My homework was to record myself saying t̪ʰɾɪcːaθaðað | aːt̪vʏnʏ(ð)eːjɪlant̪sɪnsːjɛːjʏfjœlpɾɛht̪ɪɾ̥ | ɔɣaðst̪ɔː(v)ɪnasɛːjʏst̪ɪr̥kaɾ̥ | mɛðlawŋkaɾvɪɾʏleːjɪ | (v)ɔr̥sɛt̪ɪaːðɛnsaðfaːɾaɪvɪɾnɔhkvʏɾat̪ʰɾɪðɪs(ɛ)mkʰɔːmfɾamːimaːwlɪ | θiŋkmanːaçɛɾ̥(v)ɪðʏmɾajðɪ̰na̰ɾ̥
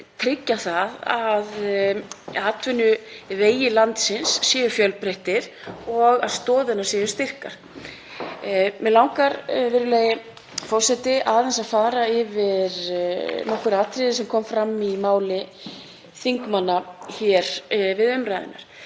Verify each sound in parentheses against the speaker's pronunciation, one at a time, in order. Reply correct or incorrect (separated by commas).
incorrect, incorrect, incorrect, correct, correct